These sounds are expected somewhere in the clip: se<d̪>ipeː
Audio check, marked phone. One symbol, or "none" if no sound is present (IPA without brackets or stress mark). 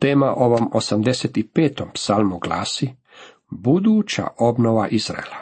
t̪